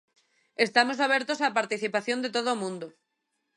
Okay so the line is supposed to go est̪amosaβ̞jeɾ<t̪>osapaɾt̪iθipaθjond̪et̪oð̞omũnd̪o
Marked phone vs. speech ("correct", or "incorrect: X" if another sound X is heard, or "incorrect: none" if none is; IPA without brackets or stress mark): correct